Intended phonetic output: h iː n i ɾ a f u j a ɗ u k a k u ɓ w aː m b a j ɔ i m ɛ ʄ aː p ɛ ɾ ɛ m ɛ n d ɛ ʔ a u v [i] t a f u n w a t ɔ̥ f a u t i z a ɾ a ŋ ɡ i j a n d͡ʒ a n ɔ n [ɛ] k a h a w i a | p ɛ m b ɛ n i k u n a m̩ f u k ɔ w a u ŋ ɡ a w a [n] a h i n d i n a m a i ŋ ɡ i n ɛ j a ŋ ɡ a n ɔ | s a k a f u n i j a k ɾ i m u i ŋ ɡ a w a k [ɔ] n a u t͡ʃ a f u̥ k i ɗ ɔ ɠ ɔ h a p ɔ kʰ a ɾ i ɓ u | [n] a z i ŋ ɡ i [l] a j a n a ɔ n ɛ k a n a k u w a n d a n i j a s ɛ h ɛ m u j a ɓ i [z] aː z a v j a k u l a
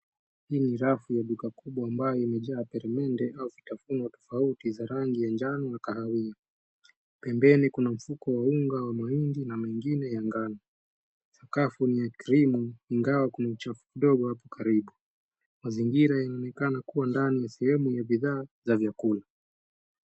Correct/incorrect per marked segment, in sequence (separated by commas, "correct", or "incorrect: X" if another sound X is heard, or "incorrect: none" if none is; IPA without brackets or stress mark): correct, incorrect: a, incorrect: m, incorrect: u, incorrect: m, incorrect: ɾ, incorrect: ð